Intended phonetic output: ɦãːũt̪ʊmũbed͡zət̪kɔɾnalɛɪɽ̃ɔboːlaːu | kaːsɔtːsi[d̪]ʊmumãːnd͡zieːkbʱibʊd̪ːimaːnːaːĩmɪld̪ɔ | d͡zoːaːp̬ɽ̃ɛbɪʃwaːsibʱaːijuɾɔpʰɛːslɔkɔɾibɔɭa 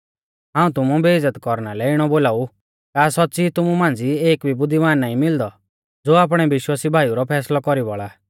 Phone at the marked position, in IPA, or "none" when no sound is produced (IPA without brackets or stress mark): t̪